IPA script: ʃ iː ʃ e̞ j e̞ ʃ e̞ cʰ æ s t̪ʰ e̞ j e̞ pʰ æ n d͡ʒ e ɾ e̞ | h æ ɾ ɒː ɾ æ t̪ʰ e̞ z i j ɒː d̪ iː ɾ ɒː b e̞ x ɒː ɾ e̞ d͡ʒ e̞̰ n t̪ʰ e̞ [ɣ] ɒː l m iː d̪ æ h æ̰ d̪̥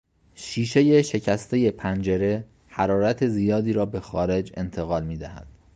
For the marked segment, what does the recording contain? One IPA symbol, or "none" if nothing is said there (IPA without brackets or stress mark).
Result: ɣ